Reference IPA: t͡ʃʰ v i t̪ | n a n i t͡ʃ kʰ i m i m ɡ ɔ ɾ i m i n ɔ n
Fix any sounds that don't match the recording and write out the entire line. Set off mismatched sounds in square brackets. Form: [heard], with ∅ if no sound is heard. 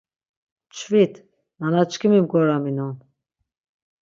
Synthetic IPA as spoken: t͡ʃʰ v i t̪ | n a n [a] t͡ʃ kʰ i m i m ɡ ɔ ɾ [a] m i n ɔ n